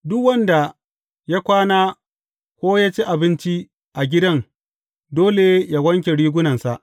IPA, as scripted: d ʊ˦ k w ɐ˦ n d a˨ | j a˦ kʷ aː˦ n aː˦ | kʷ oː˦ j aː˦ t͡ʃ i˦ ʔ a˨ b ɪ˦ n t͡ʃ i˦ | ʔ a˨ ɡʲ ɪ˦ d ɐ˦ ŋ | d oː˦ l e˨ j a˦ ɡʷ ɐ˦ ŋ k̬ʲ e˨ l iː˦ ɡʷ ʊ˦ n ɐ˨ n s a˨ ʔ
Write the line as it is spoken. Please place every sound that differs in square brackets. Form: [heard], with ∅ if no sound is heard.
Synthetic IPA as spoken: d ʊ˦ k w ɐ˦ n d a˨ | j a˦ kʷ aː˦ n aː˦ | kʷ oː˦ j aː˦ t͡ʃ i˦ ʔ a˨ b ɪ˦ n t͡ʃ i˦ | ʔ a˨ ɡʲ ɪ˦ d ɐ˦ ŋ | d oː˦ l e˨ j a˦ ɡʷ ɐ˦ ŋ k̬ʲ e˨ [ɽ] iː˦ ɡʷ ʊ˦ n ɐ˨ n s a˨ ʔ

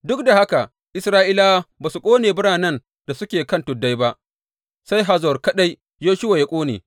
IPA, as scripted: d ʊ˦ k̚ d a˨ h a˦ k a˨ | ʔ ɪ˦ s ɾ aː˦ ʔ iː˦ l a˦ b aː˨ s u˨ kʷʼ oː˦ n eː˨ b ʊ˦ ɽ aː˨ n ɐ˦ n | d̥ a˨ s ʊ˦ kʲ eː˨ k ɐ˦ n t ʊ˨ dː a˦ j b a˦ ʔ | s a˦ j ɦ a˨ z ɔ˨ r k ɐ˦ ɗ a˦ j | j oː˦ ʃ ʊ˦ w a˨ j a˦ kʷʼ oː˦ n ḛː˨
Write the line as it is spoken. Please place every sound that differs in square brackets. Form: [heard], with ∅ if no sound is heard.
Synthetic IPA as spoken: d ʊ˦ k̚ d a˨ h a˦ k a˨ | ʔ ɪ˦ s ɾ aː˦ ʔ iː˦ l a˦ b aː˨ s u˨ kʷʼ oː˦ n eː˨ b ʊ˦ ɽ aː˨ n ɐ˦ n | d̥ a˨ s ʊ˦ kʲ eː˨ k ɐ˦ n t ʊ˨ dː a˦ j b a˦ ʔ | s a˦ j ɦ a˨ z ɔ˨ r k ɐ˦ ɗ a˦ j | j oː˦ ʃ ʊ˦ w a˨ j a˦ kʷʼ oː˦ n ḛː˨

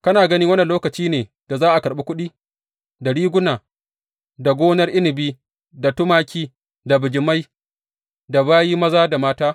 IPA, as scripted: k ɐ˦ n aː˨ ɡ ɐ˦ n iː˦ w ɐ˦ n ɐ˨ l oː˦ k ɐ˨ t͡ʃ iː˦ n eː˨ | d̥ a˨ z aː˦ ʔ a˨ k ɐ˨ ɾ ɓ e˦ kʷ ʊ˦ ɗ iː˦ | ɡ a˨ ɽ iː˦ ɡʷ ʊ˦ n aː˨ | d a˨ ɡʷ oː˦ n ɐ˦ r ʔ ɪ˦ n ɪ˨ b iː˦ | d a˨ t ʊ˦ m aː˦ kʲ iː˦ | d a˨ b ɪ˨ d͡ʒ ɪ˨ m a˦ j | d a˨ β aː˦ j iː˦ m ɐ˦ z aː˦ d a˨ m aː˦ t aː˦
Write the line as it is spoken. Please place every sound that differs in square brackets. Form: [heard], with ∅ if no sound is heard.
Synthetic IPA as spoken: k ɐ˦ n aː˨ ɡ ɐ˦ n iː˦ w ɐ˦ n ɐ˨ l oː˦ k ɐ˨ t͡ʃ iː˦ n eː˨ | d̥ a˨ z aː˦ ʔ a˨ k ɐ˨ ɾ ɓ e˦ kʷ ʊ˦ ɗ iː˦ | [d] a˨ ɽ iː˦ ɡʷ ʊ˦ n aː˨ | d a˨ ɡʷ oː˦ n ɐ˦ r ʔ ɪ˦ n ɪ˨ b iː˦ | d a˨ t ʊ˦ m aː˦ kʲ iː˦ | d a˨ b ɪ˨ d͡ʒ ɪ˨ m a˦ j | d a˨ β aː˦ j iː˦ m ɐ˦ z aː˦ d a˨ m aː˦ t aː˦

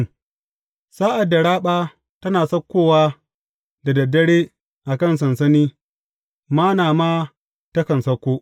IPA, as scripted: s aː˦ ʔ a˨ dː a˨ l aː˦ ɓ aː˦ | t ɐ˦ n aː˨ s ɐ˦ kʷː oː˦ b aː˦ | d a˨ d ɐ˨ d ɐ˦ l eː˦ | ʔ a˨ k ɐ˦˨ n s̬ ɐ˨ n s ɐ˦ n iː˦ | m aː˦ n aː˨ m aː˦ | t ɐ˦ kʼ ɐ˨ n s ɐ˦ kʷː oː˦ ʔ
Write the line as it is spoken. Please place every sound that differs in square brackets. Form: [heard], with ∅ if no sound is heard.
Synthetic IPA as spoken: s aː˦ ʔ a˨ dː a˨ [ɽ] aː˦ ɓ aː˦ | t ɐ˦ n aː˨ s ɐ˦ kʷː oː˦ [w] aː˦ | d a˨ d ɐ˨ d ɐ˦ [ɽ] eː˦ | ʔ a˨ k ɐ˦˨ n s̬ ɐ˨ n s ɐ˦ n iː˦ | m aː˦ n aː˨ m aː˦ | t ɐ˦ [k] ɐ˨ n s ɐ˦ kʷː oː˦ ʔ

